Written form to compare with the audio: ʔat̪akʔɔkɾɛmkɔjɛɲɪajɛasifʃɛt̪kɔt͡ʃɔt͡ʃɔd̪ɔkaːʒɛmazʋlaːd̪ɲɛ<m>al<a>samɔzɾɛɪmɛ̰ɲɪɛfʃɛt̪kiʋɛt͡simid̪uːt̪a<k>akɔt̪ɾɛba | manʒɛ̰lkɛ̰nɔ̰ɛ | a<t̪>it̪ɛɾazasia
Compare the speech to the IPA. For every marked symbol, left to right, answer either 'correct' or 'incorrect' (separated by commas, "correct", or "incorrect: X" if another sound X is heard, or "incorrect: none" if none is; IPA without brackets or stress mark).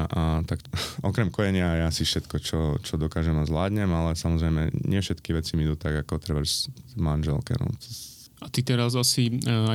correct, incorrect: ɛ, incorrect: ɡ, correct